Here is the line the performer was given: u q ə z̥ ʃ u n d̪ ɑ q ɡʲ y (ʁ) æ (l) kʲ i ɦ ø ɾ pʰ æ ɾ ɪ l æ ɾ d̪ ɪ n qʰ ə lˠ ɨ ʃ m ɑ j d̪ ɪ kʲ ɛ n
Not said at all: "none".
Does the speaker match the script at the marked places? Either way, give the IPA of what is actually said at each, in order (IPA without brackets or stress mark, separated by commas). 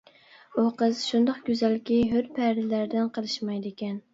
z, l